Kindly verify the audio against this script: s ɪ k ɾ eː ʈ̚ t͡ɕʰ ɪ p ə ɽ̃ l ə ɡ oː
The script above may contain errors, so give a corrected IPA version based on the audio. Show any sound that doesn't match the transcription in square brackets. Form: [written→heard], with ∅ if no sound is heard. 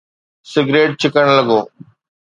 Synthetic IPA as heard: s ɪ [k→ɡ] ɾ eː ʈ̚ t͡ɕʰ ɪ [p→k] ə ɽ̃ l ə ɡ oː